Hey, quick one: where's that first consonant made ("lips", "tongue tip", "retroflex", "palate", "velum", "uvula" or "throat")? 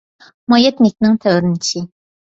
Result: lips